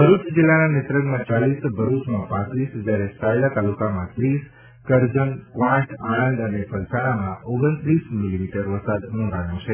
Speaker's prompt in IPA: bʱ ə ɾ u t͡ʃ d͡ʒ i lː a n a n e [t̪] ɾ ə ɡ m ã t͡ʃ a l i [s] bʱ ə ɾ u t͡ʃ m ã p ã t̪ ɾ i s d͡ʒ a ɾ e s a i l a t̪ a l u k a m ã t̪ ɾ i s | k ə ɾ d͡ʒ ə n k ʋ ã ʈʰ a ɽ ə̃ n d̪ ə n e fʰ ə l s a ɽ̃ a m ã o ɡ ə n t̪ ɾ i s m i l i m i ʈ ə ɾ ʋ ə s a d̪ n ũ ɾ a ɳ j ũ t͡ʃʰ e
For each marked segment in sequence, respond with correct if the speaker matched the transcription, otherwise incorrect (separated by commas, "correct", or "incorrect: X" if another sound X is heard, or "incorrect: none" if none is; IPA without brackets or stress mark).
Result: correct, correct